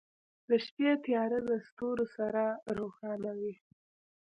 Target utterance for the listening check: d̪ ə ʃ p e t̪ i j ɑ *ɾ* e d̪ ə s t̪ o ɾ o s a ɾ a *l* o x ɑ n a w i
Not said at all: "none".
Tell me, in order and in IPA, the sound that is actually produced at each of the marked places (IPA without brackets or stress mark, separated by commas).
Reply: ɾ, ɾ